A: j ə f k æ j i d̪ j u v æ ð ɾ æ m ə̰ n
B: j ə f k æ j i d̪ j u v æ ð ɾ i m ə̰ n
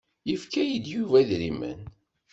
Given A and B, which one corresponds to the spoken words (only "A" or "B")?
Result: B